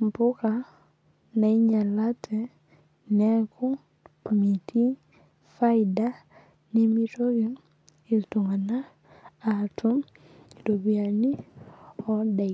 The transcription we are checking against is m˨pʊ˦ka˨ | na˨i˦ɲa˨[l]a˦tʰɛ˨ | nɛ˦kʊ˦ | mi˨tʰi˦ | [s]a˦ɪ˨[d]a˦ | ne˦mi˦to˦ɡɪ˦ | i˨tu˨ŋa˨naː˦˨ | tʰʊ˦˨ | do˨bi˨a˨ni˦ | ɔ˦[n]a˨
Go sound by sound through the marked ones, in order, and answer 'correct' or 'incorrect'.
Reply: correct, incorrect: f, correct, incorrect: d

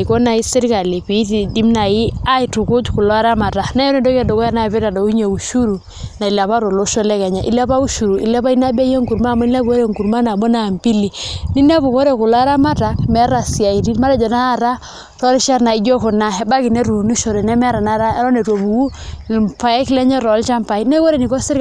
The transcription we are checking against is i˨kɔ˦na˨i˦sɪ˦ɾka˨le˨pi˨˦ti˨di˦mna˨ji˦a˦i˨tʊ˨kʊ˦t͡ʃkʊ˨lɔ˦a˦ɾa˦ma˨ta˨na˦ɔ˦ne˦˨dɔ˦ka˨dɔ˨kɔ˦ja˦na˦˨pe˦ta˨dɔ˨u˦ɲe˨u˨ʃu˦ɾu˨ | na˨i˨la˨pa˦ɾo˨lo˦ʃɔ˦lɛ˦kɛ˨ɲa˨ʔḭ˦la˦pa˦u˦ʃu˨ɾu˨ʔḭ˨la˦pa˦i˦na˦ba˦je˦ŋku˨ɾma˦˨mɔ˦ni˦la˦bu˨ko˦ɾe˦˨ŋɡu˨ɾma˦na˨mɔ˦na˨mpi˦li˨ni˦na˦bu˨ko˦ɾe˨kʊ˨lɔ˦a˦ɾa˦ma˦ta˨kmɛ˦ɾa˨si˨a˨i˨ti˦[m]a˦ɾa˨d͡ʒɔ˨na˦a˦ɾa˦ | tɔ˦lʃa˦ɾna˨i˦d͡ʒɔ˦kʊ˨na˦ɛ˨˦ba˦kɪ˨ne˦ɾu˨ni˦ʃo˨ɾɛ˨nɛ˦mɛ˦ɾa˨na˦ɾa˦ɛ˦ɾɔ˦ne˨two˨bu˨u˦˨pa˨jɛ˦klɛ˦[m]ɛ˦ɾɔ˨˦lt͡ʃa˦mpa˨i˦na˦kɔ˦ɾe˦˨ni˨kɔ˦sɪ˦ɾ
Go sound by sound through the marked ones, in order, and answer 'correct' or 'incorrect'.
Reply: correct, incorrect: ɲ

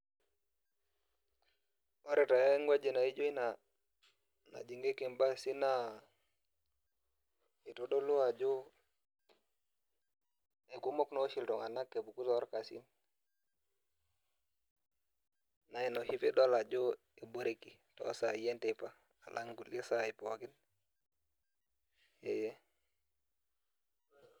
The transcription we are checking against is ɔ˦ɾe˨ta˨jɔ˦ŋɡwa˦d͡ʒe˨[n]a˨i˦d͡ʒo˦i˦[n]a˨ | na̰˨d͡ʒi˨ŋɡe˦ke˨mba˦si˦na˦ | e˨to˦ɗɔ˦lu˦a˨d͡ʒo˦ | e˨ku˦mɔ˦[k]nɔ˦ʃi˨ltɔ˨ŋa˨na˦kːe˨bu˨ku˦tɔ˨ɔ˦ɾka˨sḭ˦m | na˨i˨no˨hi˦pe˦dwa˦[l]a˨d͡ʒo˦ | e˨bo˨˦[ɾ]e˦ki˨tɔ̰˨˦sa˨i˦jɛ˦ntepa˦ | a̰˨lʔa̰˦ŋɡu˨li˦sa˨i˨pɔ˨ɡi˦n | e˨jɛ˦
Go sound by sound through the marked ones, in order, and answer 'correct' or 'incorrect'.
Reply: correct, correct, correct, correct, correct

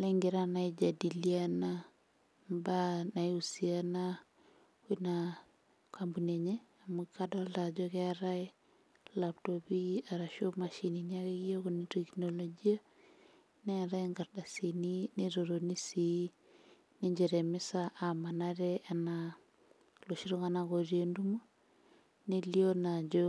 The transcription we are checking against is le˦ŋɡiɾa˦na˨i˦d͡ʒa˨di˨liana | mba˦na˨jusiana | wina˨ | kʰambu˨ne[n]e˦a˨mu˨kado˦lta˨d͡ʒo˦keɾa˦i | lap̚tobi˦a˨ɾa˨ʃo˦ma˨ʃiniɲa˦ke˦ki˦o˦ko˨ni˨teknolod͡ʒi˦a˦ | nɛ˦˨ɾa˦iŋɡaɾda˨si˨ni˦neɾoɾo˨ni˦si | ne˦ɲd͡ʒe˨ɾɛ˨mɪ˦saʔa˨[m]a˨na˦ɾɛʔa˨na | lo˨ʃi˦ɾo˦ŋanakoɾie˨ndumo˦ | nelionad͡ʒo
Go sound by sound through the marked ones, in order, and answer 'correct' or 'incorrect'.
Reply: incorrect: ɲ, correct

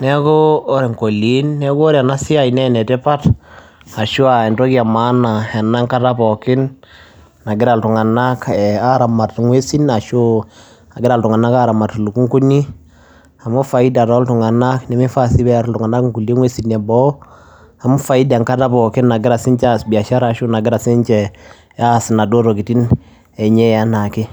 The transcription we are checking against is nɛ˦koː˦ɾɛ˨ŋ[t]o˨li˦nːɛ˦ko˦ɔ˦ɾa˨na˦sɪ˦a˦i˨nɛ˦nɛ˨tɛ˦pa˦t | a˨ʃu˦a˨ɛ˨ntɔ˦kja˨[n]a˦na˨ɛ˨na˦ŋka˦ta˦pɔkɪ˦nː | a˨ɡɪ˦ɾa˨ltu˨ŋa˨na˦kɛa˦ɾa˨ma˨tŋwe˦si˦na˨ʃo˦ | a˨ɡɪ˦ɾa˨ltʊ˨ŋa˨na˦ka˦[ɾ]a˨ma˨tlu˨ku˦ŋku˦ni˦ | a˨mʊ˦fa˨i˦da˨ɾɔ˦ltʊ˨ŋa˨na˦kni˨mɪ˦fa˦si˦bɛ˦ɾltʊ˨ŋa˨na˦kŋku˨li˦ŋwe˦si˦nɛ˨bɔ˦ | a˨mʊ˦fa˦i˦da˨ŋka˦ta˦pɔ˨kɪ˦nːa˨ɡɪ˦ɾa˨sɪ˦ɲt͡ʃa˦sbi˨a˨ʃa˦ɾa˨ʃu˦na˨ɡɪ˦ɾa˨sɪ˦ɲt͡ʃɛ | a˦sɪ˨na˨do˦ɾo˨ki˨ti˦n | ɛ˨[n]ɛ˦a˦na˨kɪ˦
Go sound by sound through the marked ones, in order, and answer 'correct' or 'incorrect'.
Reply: incorrect: k, incorrect: m, correct, incorrect: ɲ

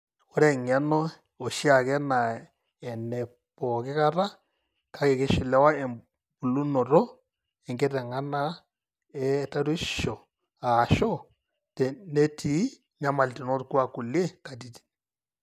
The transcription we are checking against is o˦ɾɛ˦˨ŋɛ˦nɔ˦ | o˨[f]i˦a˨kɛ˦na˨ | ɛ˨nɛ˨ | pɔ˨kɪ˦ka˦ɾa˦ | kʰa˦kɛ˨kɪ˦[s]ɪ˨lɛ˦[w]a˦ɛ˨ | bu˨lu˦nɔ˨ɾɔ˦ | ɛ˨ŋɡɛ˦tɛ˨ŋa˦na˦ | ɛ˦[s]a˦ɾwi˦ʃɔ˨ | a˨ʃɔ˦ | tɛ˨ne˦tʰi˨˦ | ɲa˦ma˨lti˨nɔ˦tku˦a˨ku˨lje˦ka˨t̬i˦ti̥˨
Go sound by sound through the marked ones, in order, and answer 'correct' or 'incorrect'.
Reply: incorrect: ʃ, incorrect: ʃ, correct, incorrect: t

